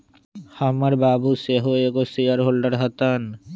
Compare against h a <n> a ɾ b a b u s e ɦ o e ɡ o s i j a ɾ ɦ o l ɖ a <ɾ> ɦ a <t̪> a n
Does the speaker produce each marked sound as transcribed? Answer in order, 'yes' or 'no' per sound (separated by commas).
no, yes, yes